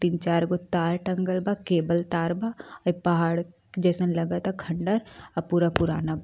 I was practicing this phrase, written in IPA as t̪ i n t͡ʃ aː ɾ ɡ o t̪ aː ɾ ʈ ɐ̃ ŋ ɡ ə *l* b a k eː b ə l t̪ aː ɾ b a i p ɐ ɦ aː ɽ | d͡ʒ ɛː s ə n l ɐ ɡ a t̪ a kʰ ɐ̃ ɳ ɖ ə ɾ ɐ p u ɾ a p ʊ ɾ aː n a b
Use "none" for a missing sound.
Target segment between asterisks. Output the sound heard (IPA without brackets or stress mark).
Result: l